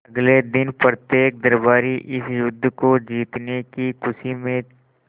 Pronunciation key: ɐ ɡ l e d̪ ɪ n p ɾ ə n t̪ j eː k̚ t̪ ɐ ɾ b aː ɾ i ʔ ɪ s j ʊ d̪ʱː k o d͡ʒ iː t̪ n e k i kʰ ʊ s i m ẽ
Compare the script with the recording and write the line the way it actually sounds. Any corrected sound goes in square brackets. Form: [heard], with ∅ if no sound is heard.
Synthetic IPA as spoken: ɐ ɡ l e d̪ ɪ n p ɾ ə [∅] t̪ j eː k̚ [d̪] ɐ ɾ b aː ɾ i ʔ ɪ s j ʊ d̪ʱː k o d͡ʒ iː t̪ n e k i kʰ ʊ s i m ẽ